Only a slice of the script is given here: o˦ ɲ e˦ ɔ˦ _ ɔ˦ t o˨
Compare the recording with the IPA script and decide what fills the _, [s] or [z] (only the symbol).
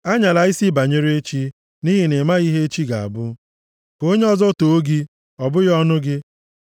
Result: z